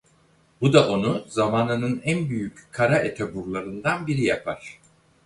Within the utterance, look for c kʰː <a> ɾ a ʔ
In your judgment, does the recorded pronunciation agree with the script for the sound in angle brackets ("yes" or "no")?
yes